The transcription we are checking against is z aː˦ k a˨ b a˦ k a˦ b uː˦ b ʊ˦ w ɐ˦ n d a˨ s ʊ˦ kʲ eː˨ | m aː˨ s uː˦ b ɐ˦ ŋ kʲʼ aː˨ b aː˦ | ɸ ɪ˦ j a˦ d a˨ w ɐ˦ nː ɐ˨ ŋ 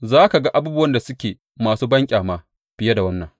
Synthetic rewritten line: z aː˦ k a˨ ɡ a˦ ʔ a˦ b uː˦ b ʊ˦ w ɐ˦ n d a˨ s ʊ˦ kʲ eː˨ | m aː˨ s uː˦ b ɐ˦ ŋ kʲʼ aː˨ m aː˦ | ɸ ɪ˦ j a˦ d a˨ w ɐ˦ nː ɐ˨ ŋ